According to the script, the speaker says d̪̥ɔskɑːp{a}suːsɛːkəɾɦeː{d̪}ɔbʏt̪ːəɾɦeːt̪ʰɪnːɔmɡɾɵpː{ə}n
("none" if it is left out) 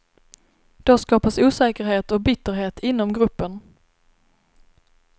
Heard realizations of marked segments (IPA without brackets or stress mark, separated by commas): a, t̪, ə